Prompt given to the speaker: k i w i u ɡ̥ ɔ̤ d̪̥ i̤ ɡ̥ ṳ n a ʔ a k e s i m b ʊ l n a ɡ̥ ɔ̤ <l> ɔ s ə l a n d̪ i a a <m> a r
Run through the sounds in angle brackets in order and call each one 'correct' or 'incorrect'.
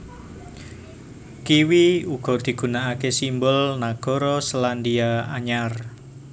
incorrect: ɾ, incorrect: ɲ

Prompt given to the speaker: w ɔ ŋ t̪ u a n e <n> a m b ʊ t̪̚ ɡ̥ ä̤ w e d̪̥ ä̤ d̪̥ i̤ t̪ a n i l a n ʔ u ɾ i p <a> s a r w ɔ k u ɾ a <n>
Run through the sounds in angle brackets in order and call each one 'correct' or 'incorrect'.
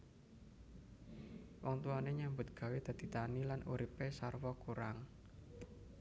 incorrect: ɲ, incorrect: e, incorrect: ŋ

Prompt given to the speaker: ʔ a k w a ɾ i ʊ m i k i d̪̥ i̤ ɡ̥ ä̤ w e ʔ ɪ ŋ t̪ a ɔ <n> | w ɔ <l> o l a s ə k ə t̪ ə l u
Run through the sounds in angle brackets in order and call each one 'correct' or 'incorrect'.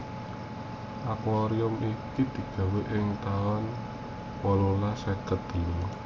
correct, correct

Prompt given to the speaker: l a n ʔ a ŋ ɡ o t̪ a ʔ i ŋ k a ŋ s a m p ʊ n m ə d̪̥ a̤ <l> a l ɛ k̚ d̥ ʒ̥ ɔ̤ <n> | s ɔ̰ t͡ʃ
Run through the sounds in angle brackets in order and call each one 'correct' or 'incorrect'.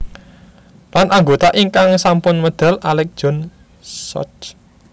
correct, correct

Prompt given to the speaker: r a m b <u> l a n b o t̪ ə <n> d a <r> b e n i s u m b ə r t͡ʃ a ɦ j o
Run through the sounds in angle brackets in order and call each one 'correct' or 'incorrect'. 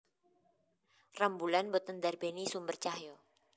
correct, correct, correct

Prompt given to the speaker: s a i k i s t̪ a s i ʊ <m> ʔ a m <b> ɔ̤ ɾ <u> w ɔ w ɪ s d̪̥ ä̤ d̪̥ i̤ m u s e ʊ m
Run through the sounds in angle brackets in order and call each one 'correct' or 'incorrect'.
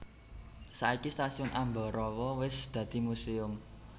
incorrect: n, correct, incorrect: ɔ

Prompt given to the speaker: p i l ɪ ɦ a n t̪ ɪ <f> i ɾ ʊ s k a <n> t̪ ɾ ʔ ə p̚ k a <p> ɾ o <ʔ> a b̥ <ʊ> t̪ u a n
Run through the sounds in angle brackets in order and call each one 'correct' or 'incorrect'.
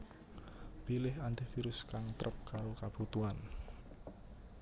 correct, incorrect: ŋ, incorrect: none, incorrect: k, incorrect: u

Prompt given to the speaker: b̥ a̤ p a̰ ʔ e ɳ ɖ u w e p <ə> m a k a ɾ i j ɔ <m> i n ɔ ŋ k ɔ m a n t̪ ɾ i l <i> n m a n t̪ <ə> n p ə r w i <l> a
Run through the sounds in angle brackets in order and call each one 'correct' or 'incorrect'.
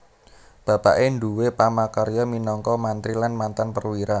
incorrect: a, correct, incorrect: a, incorrect: a, incorrect: ɾ

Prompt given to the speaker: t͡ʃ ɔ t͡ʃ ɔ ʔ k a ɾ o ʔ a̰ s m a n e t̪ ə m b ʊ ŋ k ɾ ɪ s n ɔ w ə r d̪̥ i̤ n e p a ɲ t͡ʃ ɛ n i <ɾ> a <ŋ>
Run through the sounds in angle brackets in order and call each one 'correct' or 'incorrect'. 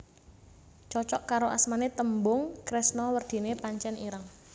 correct, correct

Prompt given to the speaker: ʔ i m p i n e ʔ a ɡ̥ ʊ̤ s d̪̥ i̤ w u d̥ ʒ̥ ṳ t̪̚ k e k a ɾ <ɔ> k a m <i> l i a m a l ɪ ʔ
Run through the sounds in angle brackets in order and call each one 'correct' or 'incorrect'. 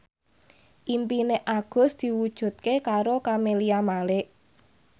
incorrect: o, incorrect: e

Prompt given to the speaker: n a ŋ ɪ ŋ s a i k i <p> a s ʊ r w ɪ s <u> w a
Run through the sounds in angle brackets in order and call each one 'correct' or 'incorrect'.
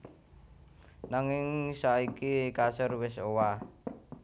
incorrect: k, incorrect: o

